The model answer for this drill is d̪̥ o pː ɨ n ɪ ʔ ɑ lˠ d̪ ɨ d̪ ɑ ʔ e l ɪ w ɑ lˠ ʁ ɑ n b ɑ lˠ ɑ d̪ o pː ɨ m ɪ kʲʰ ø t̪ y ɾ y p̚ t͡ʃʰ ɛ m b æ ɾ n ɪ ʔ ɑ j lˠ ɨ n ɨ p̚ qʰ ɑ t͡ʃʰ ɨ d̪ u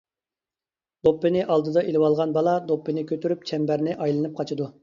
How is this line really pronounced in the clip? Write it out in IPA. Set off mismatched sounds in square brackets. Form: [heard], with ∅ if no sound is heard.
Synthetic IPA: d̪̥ o pː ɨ n ɪ ʔ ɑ lˠ d̪ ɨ d̪ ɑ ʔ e l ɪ w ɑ lˠ ʁ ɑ n b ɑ lˠ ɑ d̪ o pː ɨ [n] ɪ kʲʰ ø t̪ y ɾ y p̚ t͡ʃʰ ɛ m b æ ɾ n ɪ ʔ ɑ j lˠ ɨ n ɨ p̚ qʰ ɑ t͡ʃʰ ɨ d̪ u